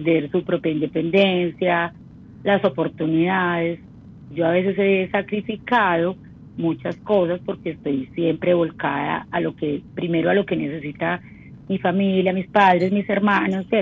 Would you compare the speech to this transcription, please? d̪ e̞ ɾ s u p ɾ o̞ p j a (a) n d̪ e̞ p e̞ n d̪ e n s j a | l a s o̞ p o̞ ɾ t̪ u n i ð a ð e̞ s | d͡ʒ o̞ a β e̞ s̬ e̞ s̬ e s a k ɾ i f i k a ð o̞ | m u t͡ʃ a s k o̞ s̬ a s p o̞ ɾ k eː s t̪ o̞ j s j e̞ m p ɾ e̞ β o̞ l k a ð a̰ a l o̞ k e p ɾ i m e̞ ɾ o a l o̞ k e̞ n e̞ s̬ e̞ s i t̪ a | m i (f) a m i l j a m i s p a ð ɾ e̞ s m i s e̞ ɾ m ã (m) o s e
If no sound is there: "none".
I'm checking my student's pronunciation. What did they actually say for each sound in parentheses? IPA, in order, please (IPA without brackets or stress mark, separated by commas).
i, f, n